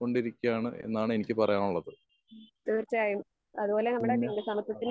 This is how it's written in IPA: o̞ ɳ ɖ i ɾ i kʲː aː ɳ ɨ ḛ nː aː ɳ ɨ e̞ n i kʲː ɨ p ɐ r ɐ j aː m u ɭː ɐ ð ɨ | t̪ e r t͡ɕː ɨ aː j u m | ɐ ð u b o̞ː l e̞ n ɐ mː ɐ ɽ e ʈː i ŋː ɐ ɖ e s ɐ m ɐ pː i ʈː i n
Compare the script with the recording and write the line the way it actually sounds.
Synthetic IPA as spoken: o̞ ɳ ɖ i ɾ i kʲː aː ɳ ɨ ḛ nː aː ɳ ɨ e̞ n i kʲː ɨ p ɐ r ɐ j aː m u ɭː ɐ ð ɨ | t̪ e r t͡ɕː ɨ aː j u m | ɐ ð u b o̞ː l e̞ n ɐ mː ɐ ɽ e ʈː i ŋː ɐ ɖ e s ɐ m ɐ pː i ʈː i n